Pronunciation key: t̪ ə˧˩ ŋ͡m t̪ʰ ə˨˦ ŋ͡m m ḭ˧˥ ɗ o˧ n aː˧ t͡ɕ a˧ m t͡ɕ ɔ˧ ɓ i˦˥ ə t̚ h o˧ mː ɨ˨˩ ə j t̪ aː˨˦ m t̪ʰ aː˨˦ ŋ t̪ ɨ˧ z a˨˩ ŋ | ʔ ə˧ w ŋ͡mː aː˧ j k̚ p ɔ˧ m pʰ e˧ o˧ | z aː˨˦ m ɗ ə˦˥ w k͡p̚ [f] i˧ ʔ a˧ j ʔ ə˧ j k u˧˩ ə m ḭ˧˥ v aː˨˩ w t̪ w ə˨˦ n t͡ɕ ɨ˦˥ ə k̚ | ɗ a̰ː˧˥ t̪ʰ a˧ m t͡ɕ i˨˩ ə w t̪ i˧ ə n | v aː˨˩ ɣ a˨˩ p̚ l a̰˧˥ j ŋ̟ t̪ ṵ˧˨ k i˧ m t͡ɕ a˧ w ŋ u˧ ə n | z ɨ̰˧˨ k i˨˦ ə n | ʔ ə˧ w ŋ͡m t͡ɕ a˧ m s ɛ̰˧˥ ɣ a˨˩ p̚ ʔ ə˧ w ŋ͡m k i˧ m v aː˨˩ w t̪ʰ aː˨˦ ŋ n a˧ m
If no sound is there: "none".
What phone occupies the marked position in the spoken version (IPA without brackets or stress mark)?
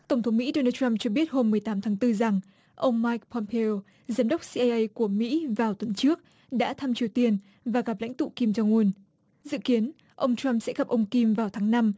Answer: s